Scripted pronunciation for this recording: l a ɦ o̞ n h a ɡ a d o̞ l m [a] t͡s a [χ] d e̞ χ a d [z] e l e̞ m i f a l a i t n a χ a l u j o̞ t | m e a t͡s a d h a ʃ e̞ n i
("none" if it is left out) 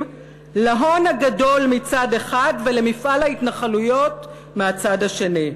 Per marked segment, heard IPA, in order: i, none, v

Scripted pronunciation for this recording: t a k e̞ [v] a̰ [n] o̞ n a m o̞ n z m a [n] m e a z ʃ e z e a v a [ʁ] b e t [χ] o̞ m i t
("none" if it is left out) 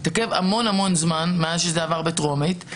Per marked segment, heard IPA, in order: v, m, n, ʁ, ʁ

